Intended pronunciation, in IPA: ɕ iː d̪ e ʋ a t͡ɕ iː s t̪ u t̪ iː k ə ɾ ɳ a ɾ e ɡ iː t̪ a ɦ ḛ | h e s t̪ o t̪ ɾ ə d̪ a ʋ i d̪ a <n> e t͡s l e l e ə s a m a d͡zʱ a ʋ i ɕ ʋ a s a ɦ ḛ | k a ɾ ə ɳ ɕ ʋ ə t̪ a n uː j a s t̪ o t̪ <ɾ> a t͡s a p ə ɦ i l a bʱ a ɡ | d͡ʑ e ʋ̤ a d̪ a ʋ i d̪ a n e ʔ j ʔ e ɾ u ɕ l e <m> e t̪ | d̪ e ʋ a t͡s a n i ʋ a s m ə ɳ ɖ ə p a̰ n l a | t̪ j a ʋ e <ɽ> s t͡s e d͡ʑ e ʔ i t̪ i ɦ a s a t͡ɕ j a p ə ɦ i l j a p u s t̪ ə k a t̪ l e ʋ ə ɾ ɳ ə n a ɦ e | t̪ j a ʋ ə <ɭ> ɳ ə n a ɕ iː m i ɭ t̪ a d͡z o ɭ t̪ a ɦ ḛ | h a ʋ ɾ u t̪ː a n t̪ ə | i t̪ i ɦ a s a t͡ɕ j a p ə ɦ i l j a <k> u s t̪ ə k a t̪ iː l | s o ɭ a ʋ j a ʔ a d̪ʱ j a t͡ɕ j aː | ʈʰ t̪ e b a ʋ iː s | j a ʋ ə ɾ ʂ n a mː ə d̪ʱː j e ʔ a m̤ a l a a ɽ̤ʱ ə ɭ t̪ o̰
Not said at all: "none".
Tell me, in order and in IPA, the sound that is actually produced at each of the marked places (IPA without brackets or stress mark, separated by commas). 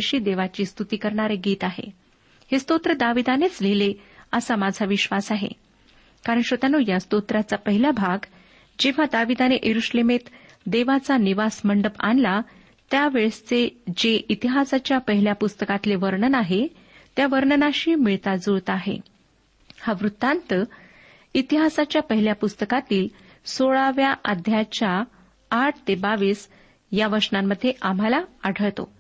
n, ɾ, m, ɭ, ɾ, p